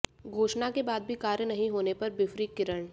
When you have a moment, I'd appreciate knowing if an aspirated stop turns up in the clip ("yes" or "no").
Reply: no